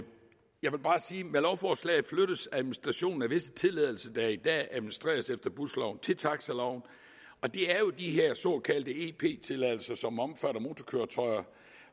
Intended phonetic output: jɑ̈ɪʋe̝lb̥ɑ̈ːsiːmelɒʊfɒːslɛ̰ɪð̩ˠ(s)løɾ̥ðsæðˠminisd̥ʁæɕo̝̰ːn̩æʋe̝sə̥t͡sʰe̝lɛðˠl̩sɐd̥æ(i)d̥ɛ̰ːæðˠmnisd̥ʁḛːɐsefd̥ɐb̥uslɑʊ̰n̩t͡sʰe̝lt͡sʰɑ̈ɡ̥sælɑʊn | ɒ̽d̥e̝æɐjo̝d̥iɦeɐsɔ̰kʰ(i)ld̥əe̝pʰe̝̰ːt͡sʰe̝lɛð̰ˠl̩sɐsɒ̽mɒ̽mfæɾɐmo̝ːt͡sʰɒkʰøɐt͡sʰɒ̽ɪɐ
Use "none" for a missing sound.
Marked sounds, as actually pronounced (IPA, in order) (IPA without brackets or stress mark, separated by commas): f, i, æ